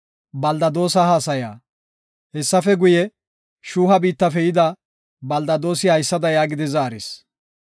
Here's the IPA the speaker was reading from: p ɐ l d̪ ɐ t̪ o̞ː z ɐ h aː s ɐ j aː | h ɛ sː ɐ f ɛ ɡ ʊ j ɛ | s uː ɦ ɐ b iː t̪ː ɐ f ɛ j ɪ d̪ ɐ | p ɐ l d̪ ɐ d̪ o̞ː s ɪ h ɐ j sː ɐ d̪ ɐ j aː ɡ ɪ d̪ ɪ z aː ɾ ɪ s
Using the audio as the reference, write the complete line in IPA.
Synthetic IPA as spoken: b ɐ l d̪ ɐ d̪ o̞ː s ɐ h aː s ɐ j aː | h ɛ sː ɐ f ɛ ɡ ʊ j ɛ | ʃ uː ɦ ɐ b iː t̪ː ɐ f ɛ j ɪ d̪ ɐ | b ɐ l d̪ ɐ d̪ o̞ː s ɪ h ɐ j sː ɐ d̪ ɐ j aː ɡ ɪ d̪ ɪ z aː ɾ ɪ s